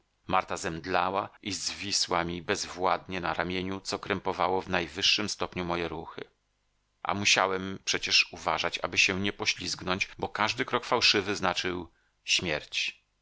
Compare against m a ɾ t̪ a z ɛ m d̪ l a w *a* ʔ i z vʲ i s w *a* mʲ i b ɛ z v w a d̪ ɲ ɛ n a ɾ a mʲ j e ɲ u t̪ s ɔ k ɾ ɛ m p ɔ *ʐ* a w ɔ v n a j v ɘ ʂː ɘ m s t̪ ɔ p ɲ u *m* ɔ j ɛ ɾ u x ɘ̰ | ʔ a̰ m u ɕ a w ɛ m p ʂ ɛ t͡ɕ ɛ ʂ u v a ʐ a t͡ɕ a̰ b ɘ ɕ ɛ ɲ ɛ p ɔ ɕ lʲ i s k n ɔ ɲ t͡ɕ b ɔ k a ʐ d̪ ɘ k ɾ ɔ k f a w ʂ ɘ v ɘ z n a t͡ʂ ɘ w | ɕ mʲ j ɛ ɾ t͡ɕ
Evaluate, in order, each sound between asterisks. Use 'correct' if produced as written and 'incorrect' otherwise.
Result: correct, correct, incorrect, correct

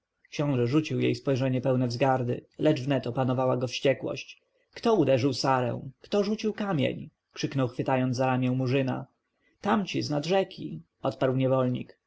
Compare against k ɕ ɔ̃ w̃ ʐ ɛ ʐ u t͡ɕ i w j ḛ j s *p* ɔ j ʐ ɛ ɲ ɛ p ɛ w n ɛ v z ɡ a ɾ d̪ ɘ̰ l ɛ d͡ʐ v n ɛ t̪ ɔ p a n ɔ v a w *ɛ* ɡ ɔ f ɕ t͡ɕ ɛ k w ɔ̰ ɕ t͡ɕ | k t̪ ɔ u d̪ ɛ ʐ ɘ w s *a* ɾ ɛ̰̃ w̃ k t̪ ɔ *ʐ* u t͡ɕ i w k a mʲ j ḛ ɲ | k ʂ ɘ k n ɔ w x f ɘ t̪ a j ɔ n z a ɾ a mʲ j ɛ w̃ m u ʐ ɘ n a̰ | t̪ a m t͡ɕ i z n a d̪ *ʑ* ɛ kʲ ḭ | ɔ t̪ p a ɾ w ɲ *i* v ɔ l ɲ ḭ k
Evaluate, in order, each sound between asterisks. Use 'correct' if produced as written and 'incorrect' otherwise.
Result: correct, incorrect, correct, correct, incorrect, incorrect

